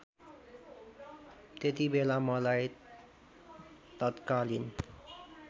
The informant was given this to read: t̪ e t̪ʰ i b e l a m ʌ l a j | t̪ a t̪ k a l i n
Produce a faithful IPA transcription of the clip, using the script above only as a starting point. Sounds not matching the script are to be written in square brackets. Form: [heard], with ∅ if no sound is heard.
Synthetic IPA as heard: t̪ e [t̪] i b e l a m ʌ l a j | t̪ [ʌ] t̪ k a l i n